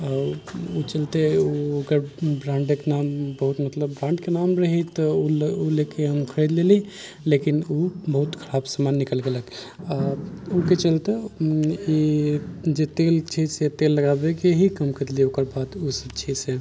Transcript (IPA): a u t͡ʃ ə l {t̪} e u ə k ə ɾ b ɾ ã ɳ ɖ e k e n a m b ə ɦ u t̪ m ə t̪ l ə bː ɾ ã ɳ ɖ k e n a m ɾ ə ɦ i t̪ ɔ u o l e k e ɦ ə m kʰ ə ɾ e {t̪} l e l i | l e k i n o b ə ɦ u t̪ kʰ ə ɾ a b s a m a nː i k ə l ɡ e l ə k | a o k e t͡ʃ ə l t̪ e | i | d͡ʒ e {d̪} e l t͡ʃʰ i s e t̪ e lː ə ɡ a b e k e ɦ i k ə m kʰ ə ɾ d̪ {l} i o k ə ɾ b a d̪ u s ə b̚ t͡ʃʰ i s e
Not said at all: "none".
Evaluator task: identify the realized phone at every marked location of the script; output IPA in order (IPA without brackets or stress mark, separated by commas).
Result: t̪, d̪, t̪, l